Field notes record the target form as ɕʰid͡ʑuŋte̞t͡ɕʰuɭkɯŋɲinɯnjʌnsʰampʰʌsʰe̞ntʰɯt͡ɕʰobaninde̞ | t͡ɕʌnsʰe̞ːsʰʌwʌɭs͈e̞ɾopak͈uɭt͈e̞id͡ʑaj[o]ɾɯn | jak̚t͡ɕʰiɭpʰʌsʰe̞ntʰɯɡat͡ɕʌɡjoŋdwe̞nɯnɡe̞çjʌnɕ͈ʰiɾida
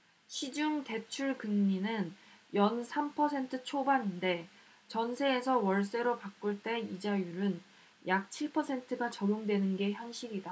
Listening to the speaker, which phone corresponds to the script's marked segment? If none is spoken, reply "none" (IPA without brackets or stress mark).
u